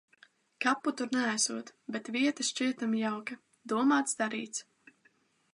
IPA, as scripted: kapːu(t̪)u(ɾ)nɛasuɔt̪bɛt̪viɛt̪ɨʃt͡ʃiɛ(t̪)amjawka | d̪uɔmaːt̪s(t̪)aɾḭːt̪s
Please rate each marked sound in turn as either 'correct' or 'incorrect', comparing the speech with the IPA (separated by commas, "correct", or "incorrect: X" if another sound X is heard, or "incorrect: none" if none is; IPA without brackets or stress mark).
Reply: correct, correct, correct, incorrect: d̪